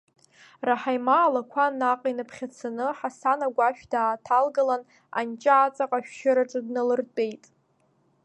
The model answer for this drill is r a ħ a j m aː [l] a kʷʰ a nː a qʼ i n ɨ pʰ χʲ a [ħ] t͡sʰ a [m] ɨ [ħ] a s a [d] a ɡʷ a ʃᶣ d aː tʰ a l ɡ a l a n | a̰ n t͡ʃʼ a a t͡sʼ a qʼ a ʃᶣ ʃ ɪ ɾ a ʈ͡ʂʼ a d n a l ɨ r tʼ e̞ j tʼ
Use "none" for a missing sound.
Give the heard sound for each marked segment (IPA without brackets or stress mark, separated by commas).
l, none, n, ħ, n